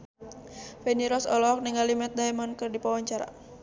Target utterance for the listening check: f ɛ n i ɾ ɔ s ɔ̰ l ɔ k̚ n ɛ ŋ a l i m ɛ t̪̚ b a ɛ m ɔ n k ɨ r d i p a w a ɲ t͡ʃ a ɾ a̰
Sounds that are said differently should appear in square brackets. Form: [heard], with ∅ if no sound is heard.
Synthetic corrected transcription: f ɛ n i ɾ ɔ s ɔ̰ l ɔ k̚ n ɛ ŋ a l i m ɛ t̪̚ [d] a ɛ m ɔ n k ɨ r d i p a w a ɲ t͡ʃ a ɾ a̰